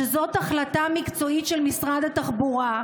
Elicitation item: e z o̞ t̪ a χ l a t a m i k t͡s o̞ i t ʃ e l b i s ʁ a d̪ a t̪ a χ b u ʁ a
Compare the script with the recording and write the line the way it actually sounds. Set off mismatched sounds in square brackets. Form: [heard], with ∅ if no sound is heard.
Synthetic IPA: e z o̞ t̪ a χ l a t a m i k t͡s o̞ i t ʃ e l [m] i s ʁ a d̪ a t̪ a χ b u ʁ a